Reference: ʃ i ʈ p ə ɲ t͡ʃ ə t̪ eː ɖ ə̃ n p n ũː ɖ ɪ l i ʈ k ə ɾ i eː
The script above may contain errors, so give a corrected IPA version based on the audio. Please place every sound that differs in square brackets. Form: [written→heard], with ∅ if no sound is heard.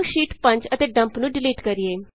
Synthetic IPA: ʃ [i→iː] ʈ p ə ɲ t͡ʃ ə t̪ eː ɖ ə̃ [n→m] p n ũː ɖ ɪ l [i→iː] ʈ k ə ɾ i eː